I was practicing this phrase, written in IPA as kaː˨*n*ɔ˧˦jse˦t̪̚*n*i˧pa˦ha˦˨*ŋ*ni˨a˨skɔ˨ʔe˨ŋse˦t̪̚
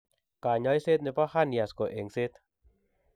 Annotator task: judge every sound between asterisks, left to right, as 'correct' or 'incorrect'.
incorrect, correct, incorrect

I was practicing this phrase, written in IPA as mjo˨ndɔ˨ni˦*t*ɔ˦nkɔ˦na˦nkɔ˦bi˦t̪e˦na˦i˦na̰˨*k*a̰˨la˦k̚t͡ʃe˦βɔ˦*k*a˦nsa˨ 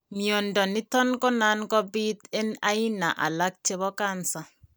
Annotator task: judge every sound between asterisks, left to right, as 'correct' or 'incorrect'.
correct, incorrect, correct

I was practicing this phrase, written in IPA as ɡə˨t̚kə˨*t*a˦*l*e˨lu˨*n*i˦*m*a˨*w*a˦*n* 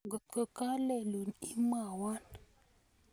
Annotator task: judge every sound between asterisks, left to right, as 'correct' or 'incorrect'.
incorrect, correct, correct, correct, correct, correct

